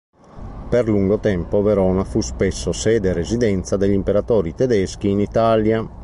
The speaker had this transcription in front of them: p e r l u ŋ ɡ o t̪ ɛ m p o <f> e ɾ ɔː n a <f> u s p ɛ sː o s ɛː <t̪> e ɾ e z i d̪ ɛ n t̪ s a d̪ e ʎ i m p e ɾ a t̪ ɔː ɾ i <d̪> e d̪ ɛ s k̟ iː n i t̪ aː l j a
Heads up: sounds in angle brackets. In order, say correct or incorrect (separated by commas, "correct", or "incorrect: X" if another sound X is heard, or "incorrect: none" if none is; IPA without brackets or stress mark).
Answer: incorrect: v, correct, incorrect: d̪, incorrect: t̪